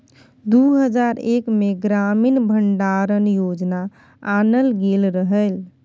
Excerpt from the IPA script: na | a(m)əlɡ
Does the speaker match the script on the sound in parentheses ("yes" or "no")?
no